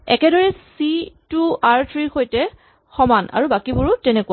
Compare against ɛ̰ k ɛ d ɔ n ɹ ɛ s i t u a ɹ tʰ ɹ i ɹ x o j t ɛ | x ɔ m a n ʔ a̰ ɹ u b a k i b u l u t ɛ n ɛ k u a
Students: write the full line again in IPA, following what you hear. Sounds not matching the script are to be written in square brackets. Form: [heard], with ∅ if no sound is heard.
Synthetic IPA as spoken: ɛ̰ k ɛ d ɔ [∅] ɹ ɛ s i t u a ɹ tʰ ɹ i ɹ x o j t ɛ | x ɔ m a n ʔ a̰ ɹ u b a k i b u [ɹ] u t ɛ n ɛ k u a